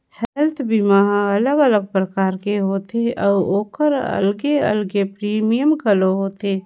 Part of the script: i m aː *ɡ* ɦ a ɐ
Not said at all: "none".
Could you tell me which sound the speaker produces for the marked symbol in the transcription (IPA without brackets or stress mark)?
none